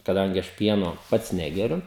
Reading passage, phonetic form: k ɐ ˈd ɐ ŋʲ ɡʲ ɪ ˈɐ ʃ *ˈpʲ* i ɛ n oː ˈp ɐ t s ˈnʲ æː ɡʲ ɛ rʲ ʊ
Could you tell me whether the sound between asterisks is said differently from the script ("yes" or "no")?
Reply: no